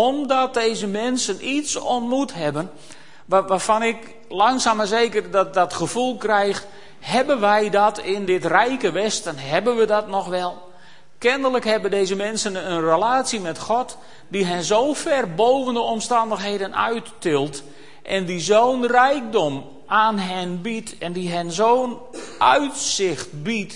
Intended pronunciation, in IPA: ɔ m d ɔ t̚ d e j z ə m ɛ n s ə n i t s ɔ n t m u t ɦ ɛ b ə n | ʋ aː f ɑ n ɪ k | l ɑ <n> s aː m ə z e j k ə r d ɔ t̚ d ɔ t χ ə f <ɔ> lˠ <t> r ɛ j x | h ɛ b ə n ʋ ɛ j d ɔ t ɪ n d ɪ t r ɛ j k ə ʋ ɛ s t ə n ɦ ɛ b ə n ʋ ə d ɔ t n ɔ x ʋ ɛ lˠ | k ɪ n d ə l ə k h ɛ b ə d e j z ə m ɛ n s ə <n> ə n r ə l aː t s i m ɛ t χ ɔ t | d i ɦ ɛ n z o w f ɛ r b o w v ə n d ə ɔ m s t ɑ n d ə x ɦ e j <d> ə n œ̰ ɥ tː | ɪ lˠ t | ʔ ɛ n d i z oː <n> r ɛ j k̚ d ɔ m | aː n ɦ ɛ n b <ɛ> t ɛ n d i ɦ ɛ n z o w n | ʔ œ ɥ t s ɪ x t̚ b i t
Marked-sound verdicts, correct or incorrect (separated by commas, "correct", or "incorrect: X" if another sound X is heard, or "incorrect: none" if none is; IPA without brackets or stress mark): incorrect: ŋ, incorrect: u, incorrect: k, correct, correct, correct, incorrect: i